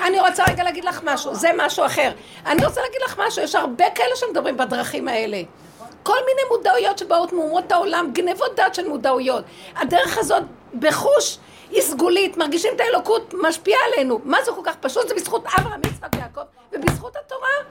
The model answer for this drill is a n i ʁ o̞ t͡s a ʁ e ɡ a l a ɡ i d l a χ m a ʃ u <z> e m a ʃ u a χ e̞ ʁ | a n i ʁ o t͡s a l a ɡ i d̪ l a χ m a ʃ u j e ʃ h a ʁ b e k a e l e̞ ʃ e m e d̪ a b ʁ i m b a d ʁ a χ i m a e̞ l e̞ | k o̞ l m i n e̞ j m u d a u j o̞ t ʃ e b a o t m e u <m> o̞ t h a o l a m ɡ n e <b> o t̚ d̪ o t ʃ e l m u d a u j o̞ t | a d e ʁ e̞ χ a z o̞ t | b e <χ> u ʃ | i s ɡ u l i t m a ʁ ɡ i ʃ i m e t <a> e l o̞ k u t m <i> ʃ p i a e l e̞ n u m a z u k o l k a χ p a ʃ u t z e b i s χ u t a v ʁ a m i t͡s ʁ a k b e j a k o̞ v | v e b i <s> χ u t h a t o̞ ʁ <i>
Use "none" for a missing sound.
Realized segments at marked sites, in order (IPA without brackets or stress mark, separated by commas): z, m, v, χ, a, a, s, a